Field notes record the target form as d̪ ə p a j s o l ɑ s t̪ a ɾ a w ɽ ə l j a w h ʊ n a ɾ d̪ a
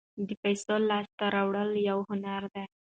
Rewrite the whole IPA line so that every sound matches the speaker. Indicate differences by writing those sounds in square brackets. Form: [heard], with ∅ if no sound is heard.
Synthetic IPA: d̪ ə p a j s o l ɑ s t̪ a ɾ a w ɽ ə l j a w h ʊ n a ɾ d̪ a